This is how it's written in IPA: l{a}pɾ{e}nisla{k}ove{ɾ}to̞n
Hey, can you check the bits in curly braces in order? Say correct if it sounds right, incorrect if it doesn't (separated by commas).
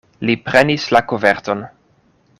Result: incorrect, correct, correct, correct